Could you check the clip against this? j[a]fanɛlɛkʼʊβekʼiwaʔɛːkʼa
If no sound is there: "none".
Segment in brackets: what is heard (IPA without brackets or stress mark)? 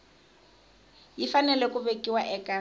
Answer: i